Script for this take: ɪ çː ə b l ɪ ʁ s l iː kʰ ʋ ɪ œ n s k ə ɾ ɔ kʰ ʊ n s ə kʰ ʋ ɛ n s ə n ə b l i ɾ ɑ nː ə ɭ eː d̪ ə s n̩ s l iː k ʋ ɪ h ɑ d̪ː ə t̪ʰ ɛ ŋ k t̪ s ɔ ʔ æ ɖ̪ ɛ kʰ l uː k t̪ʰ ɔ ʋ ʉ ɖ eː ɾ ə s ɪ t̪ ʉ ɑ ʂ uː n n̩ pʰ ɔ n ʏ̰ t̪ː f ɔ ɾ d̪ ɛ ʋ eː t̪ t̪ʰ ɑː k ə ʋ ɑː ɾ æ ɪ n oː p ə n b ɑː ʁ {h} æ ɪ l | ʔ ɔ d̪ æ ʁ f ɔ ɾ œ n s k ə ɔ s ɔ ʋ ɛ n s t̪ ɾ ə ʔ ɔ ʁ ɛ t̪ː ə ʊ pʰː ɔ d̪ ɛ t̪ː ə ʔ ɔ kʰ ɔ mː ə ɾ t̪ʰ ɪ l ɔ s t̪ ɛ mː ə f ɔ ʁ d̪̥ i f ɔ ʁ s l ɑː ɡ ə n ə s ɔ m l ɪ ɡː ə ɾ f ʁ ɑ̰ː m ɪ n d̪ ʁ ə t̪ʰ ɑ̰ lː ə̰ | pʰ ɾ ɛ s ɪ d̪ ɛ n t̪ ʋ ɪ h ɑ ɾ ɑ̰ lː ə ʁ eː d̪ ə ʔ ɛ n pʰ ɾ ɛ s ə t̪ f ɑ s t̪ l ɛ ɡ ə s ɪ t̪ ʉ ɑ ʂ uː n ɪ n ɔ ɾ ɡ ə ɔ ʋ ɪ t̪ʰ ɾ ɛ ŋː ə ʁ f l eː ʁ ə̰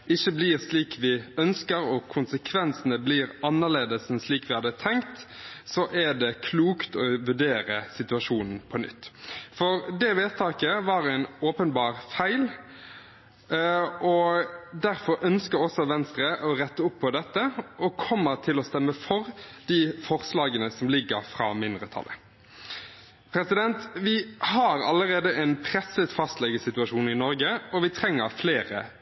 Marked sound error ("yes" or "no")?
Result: yes